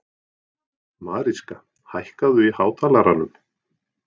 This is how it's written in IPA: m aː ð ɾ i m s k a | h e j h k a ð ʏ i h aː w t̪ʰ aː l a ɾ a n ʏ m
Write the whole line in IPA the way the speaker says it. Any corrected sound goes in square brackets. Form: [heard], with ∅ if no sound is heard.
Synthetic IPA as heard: m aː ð ɾ i [∅] s k a | h [a] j h k a ð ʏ i h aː w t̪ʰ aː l a ɾ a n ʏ m